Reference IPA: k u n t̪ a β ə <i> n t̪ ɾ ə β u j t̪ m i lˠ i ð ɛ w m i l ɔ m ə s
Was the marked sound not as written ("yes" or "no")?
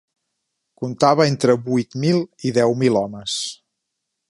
yes